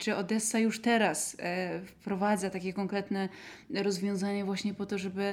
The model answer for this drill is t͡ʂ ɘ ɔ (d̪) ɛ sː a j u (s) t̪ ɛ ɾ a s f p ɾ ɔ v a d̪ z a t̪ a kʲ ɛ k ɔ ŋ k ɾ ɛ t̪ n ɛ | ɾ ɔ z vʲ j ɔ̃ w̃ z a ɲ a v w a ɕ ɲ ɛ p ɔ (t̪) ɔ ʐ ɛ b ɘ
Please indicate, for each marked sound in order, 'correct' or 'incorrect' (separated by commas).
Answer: correct, incorrect, correct